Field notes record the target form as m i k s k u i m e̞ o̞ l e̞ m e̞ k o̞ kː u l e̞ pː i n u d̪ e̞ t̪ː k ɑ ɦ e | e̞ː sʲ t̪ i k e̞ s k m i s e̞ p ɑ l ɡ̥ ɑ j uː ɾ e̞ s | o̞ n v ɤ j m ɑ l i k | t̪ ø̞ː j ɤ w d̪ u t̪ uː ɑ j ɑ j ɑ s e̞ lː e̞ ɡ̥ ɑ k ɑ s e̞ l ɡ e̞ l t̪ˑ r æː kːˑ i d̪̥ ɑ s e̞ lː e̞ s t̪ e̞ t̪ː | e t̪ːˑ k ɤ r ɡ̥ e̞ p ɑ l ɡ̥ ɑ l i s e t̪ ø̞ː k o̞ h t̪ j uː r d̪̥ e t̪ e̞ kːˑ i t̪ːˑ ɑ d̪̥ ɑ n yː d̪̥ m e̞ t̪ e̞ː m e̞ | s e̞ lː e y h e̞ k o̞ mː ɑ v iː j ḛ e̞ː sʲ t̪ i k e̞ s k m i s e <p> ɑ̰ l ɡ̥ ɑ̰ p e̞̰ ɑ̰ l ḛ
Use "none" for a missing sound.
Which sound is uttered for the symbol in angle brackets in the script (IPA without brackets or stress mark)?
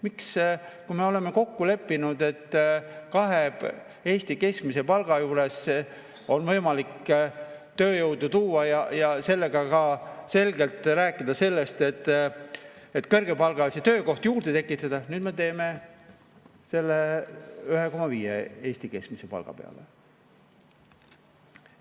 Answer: p